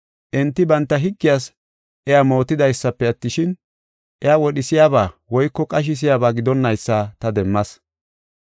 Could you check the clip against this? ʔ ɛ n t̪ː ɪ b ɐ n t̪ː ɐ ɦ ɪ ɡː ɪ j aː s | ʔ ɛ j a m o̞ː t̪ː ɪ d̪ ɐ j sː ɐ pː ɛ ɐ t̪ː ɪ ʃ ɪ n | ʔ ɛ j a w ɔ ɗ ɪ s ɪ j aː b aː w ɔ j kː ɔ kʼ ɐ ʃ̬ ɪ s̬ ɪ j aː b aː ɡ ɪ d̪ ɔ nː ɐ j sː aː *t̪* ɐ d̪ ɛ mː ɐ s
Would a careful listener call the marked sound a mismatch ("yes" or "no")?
no